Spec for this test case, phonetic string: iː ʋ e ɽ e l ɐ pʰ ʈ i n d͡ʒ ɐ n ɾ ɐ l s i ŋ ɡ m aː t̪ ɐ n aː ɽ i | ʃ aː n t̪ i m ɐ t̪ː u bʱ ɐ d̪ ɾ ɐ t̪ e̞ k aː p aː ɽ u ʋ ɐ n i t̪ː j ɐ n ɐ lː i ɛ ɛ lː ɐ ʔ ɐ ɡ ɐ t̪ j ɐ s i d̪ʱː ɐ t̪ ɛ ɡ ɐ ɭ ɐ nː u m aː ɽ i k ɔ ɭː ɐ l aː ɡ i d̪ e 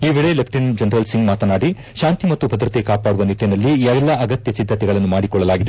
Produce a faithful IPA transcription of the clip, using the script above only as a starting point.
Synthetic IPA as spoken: iː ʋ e ɭ e l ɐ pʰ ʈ i n d͡ʒ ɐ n ɾ ɐ l s i ŋ ɡ m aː t̪ ɐ n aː ɽ i | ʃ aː n t̪ i m ɐ t̪ː u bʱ ɐ d̪ ɾ ɐ t̪ e̞ k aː p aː ɽ u ʋ ɐ n i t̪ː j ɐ n ɐ lː i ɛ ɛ lː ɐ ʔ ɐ ɡ ɐ t̪ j ɐ s i d̪ʱː ɐ t̪ ɛ ɡ ɐ ɭ ɐ nː u m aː ɽ i k ɔ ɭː ɐ l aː ɡ i d̪ e